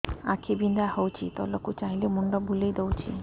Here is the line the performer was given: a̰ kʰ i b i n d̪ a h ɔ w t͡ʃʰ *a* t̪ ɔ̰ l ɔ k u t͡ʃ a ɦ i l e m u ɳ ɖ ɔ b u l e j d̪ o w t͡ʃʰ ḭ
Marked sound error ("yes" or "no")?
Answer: yes